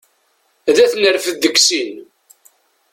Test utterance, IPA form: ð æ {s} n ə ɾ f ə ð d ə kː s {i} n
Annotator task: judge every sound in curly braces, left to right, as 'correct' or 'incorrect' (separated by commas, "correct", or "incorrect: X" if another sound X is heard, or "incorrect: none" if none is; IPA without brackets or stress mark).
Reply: incorrect: θ, correct